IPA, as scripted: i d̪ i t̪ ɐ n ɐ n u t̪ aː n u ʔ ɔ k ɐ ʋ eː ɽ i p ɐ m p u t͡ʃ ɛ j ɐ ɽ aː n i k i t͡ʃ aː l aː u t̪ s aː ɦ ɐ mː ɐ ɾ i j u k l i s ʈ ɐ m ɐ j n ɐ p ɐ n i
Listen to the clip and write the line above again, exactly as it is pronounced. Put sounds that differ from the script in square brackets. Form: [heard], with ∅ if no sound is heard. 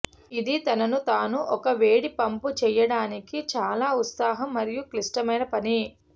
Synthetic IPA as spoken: i d̪ i t̪ ɐ n ɐ n u t̪ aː n u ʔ ɔ k ɐ ʋ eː ɽ i p ɐ m p u t͡ʃ ɛ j ɐ ɽ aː n i k i t͡ʃ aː l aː u t̪ s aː ɦ ɐ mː ɐ ɾ i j u k l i s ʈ ɐ m ɐ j n ɐ p ɐ n i